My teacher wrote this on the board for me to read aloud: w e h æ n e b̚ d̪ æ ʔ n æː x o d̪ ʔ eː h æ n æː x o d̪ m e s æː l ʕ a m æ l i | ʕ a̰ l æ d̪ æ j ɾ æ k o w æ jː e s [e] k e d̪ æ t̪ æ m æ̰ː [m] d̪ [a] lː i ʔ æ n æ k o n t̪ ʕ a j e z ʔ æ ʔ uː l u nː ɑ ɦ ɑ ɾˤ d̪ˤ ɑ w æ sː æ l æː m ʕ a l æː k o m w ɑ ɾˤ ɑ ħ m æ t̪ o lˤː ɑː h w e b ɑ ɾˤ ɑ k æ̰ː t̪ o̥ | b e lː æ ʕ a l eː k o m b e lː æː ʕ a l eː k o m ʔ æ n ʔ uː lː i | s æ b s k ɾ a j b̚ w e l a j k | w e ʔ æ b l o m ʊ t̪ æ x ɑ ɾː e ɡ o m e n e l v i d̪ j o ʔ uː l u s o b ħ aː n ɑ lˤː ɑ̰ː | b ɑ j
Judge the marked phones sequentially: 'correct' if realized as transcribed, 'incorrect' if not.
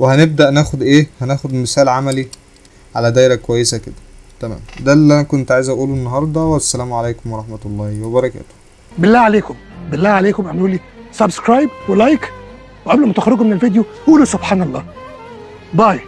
incorrect, correct, incorrect

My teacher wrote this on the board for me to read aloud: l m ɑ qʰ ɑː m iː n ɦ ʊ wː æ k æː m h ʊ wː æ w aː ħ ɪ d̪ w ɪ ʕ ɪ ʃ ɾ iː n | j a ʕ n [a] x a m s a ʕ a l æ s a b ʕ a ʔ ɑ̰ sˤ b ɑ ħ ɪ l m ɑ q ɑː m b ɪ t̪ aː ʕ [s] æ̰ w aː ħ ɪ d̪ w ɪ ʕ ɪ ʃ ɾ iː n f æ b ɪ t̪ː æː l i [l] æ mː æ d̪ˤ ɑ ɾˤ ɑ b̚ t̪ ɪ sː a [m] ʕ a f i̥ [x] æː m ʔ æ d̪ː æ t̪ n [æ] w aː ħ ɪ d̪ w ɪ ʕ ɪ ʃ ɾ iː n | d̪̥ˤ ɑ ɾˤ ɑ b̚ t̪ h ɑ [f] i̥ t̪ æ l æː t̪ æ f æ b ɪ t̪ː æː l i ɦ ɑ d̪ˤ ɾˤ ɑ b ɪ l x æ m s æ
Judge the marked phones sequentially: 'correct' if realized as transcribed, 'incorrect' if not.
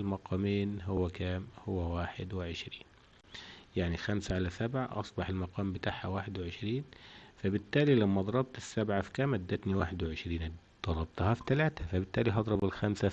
incorrect, incorrect, correct, incorrect, incorrect, incorrect, correct

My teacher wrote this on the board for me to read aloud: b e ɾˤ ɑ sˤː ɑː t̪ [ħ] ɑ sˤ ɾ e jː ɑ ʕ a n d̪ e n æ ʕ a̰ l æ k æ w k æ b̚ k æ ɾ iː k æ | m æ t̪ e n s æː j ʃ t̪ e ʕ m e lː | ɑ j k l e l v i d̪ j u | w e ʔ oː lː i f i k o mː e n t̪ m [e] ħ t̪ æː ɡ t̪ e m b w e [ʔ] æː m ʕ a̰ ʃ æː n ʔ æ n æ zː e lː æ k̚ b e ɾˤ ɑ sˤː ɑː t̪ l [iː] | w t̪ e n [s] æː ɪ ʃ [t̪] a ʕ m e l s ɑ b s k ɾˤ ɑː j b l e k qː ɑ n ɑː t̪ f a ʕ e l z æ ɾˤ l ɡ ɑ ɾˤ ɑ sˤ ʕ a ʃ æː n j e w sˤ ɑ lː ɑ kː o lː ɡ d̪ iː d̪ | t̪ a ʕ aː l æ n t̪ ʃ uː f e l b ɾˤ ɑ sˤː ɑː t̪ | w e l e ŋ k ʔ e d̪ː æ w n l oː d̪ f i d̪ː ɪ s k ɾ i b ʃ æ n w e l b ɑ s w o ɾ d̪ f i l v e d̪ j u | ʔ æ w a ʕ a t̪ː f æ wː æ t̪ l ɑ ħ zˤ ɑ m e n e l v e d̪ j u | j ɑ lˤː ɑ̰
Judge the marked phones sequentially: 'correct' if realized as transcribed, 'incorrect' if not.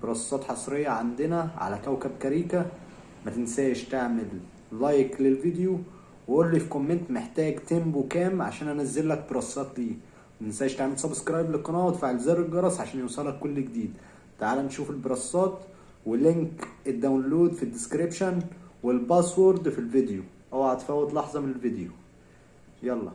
correct, correct, incorrect, correct, correct, correct

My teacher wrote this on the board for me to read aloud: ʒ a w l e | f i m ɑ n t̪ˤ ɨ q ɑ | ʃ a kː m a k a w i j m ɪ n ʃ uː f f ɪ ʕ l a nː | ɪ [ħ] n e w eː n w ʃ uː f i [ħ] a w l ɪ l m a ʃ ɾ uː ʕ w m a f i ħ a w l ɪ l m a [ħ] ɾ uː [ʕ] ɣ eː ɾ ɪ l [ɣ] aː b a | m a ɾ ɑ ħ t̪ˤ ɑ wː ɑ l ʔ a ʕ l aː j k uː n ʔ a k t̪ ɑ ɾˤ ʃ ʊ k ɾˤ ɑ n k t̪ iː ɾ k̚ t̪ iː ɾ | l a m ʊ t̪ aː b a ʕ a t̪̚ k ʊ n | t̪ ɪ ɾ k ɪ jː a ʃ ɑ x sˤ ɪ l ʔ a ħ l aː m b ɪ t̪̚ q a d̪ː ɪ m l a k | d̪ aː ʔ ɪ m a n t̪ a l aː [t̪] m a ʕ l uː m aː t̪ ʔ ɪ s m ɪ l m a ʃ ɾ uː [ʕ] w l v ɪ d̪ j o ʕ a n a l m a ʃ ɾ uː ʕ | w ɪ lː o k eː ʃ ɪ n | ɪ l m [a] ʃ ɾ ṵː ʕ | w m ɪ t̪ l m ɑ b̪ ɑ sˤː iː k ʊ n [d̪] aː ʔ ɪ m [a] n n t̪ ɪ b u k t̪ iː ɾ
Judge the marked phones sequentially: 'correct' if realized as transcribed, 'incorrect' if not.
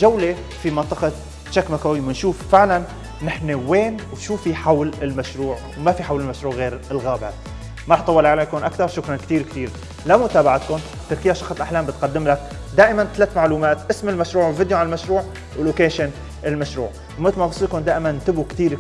correct, correct, incorrect, correct, correct, correct, correct, correct, correct, correct

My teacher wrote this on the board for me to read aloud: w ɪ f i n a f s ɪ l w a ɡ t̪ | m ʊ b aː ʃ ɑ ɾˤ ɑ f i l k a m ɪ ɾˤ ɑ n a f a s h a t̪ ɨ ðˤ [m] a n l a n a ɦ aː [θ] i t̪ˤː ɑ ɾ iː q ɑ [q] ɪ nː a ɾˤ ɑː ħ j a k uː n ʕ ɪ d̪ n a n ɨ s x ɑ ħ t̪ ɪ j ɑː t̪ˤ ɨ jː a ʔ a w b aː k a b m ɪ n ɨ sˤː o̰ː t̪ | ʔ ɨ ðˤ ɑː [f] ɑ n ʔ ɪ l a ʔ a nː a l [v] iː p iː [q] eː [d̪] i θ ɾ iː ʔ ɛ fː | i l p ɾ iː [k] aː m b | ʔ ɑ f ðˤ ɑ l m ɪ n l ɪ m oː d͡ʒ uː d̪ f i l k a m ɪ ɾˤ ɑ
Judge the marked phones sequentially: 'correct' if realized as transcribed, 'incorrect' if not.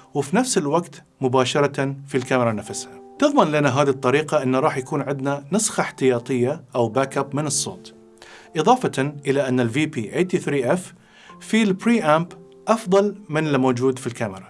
correct, incorrect, incorrect, correct, correct, incorrect, incorrect, incorrect

